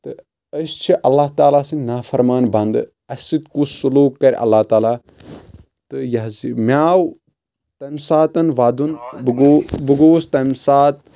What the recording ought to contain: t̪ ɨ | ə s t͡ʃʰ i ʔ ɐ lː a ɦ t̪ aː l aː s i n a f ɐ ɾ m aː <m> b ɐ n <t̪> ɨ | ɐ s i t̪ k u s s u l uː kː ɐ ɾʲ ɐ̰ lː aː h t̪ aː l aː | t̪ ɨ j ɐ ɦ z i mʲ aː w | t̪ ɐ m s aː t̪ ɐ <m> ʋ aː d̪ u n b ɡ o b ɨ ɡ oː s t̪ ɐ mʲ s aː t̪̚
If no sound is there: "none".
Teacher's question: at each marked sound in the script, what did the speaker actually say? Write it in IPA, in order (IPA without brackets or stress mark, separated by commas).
n, d̪, n